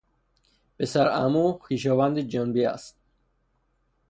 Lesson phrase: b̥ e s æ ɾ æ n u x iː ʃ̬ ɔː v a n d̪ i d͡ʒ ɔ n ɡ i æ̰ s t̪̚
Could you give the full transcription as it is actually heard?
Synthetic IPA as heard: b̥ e s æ ɾ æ m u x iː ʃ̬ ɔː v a n d̪ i d͡ʒ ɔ n b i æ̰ s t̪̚